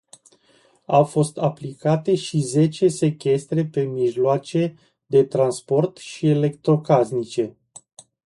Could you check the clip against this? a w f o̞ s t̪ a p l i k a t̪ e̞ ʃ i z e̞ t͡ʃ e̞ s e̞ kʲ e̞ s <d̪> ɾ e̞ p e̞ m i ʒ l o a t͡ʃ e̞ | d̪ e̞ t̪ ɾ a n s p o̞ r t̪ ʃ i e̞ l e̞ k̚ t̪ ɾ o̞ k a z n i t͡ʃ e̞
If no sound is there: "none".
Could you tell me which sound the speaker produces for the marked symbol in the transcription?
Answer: t̪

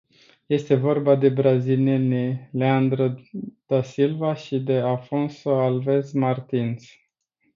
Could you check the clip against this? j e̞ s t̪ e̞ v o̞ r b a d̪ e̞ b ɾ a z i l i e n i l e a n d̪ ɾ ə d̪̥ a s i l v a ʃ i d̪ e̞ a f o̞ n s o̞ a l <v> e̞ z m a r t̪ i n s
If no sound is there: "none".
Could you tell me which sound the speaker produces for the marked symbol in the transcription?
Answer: v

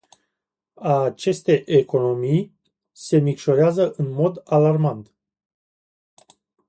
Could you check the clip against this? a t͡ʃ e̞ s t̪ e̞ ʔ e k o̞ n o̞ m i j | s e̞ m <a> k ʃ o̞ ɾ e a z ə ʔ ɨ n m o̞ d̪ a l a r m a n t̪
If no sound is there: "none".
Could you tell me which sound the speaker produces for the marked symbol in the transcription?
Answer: i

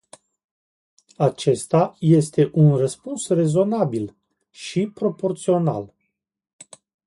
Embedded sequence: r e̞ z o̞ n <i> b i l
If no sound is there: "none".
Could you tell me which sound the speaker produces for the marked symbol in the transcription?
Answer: a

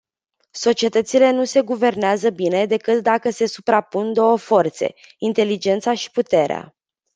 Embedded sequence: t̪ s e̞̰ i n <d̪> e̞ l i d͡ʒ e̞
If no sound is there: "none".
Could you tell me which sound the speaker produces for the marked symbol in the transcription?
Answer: t̪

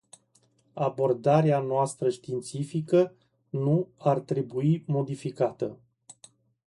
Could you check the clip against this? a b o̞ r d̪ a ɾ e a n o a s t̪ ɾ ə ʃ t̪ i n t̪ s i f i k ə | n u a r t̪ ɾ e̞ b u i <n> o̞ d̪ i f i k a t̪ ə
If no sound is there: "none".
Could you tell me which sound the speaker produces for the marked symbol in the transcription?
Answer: m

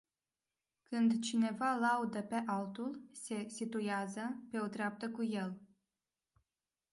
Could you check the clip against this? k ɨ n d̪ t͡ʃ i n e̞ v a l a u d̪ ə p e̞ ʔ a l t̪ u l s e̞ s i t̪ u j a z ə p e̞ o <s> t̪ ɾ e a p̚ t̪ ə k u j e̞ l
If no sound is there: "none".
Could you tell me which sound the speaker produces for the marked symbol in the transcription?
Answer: none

